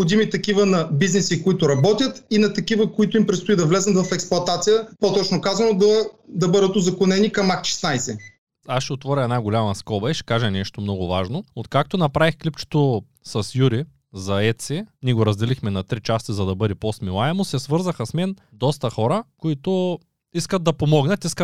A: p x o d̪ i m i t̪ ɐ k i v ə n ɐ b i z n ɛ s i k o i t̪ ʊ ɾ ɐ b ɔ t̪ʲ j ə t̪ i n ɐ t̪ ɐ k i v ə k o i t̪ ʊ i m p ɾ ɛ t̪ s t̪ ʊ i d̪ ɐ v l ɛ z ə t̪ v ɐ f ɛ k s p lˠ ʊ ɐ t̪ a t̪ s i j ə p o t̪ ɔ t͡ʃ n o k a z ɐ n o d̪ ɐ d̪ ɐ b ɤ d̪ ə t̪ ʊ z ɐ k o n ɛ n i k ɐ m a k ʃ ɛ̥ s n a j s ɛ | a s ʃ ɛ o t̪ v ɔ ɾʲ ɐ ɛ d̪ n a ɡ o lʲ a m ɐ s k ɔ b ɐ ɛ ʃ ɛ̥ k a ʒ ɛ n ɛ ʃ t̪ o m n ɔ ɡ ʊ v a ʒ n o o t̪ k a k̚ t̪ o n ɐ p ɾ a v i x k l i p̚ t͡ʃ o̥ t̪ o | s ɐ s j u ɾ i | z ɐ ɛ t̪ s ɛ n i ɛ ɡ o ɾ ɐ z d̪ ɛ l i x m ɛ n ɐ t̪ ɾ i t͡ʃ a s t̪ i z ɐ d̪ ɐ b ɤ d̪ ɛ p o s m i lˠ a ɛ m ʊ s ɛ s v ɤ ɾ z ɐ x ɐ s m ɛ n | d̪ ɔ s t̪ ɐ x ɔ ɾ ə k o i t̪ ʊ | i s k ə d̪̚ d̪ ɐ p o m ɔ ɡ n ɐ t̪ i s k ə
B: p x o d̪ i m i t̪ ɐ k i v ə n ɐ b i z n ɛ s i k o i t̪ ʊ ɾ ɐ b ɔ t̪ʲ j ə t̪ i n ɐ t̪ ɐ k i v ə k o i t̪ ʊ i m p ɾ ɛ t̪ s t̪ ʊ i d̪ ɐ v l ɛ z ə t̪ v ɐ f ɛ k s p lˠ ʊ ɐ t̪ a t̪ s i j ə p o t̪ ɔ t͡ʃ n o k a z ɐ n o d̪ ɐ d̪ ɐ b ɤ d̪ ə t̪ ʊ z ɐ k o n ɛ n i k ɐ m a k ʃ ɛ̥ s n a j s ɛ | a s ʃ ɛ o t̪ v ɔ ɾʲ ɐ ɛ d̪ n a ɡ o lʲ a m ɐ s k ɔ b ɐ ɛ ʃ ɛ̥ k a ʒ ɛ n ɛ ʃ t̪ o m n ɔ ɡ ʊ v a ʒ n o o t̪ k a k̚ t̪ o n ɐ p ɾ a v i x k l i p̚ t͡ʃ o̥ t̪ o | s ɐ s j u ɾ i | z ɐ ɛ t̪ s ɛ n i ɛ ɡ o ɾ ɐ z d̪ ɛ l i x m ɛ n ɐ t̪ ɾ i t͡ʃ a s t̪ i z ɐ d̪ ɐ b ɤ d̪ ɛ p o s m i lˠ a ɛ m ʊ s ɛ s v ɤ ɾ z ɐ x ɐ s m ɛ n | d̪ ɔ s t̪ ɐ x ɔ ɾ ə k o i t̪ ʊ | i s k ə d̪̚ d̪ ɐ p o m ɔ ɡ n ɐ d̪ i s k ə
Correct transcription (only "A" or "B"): A